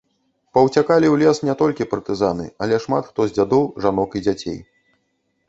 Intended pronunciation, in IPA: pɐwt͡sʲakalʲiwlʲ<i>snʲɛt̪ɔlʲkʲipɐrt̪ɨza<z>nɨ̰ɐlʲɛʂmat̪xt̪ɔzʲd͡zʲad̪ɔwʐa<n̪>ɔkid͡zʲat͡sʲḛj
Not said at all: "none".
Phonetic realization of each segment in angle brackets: ɛ, none, n̪

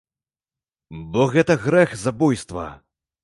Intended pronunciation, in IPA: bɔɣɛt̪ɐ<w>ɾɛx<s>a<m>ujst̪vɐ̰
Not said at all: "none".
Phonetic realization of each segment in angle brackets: ɣ, z, b

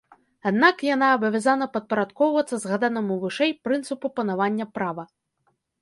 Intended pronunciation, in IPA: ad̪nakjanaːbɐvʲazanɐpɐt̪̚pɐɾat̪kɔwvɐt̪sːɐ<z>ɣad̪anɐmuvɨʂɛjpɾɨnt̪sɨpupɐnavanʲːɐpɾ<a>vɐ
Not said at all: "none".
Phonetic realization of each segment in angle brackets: z, a

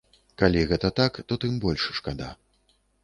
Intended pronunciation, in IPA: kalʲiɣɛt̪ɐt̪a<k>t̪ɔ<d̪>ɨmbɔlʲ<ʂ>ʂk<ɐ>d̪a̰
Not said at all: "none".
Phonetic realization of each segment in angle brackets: k, t̪, ʂ, a

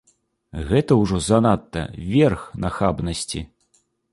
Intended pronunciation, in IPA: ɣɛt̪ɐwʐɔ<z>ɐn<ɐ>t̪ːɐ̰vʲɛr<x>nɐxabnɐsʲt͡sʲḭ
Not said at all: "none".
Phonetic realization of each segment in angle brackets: z, a, x

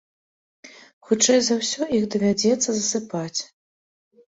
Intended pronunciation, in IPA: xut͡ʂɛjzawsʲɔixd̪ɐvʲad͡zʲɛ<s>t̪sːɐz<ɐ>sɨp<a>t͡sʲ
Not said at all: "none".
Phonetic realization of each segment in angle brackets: none, ɐ, a

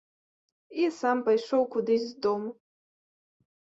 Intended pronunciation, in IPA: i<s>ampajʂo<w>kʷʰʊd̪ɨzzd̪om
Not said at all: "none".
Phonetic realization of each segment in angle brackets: s, w

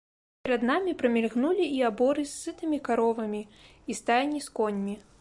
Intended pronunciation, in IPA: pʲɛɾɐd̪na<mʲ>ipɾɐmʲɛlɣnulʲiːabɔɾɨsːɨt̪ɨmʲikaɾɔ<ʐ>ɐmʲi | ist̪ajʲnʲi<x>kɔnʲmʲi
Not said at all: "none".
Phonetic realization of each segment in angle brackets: mʲ, v, s

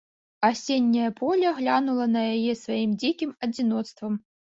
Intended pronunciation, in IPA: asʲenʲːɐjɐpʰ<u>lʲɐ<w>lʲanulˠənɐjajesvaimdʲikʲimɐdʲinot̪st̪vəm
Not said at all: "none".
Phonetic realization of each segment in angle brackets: o, ɣ

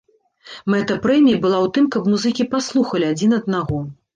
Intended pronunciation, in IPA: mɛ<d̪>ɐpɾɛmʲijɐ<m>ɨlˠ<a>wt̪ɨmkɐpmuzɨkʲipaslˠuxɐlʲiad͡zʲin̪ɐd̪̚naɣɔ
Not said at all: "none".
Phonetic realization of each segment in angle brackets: t̪, b, a

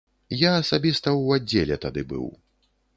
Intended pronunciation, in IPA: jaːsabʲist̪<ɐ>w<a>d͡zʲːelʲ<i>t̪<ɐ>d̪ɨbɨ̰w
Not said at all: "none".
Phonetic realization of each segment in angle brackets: ɐ, a, ɛ, a

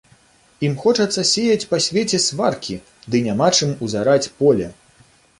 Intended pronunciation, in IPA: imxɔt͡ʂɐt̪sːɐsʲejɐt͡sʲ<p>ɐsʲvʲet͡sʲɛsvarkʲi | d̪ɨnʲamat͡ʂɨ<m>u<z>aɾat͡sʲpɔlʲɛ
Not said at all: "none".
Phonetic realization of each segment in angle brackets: p, m, z

